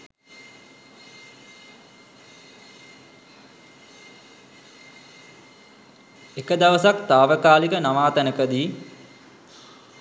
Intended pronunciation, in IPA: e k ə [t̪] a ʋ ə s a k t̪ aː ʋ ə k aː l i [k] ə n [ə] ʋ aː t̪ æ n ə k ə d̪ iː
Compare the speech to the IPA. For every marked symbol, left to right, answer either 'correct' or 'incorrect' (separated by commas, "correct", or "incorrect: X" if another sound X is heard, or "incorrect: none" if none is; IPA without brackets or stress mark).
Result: incorrect: d̪, correct, incorrect: a